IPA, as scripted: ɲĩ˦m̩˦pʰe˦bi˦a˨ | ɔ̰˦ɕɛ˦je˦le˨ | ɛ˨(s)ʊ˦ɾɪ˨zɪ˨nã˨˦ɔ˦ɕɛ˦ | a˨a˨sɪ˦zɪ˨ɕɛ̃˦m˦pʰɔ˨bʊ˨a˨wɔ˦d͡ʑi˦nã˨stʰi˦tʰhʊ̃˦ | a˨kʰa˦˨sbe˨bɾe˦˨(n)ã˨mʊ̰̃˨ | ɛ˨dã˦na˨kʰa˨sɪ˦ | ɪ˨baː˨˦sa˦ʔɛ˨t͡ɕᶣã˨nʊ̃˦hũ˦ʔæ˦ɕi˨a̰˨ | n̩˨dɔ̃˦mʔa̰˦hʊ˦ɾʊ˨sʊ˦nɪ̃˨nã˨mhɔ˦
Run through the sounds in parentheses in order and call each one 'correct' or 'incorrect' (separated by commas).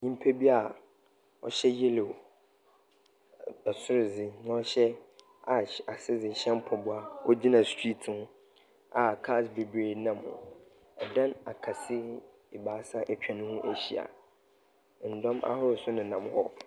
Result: correct, correct